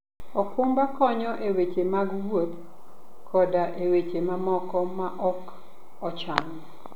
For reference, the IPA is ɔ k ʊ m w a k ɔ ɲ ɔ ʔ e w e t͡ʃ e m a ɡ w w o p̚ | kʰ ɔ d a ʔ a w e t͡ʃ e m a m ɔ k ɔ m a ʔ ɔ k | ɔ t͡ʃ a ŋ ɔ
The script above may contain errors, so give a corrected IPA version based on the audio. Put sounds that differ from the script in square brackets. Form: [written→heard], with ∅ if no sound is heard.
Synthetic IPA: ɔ k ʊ m [w→b] a k ɔ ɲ ɔ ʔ e w e t͡ʃ e m a ɡ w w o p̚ | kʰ ɔ d a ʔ [a→e] w e t͡ʃ e m a m ɔ k ɔ m a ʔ ɔ k | ɔ t͡ʃ a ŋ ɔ